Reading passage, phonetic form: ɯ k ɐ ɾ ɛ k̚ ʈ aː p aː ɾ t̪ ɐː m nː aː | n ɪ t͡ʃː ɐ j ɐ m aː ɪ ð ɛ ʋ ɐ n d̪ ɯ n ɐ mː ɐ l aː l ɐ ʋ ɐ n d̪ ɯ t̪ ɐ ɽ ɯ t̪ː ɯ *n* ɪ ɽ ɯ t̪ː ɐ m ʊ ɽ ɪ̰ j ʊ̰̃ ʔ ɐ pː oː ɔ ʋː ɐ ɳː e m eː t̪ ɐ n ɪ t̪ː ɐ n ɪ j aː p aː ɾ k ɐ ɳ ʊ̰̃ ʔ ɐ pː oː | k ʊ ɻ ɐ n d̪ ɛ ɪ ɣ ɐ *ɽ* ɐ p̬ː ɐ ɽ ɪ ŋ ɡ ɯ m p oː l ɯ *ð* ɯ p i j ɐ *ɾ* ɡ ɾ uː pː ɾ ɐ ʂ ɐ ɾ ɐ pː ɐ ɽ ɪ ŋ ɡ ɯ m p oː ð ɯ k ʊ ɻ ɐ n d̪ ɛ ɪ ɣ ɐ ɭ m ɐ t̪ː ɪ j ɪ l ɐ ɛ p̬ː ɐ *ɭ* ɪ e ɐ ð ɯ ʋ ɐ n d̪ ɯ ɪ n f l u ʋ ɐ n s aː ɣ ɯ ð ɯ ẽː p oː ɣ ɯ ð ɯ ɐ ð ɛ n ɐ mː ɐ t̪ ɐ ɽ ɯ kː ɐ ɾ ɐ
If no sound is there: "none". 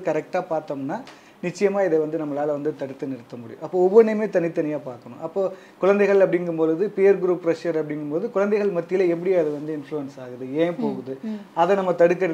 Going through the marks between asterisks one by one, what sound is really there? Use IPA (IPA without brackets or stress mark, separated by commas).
n, ɭ, ð, ɾ, ɽ